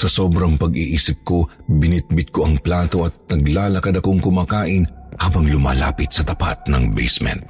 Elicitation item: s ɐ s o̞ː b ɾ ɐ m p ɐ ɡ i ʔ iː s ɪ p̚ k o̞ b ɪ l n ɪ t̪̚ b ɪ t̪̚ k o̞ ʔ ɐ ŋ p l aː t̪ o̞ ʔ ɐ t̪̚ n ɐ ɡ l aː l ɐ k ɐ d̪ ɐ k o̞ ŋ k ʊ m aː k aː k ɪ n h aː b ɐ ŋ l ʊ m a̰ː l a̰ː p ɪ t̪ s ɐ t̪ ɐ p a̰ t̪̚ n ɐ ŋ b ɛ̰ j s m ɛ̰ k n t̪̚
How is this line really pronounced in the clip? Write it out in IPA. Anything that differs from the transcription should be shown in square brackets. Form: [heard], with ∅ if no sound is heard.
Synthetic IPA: s ɐ s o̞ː b ɾ ɐ [ŋ] p ɐ ɡ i ʔ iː s ɪ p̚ k o̞ b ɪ [∅] n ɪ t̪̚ b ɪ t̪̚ k o̞ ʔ ɐ ŋ p l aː t̪ o̞ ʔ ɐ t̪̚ n ɐ ɡ l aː l ɐ k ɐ d̪ ɐ k o̞ ŋ k ʊ m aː k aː [ʔ] ɪ n h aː b ɐ ŋ l ʊ m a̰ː l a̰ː p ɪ t̪ s ɐ t̪ ɐ p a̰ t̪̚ n ɐ ŋ b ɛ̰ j s m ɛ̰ [∅] n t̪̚